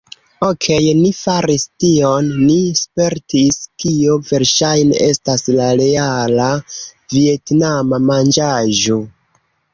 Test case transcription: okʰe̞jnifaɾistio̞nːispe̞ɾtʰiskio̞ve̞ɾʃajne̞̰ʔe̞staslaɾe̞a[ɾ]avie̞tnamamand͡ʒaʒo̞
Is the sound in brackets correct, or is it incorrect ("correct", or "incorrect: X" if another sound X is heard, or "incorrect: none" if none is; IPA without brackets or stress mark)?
incorrect: l